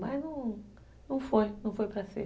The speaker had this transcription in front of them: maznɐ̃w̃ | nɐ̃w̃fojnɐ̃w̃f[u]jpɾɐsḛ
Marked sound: incorrect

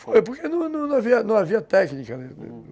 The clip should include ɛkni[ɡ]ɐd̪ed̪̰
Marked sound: incorrect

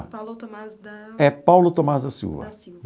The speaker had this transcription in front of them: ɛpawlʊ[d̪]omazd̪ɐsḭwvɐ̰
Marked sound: incorrect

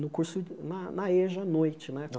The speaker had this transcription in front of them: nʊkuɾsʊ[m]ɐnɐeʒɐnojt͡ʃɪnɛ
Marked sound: incorrect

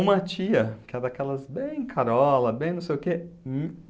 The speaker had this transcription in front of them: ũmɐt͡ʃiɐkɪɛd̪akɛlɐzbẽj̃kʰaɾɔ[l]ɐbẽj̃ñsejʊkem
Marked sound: correct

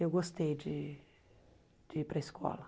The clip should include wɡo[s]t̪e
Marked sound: correct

